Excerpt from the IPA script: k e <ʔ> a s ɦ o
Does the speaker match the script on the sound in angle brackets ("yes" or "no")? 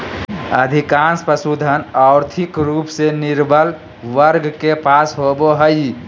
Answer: no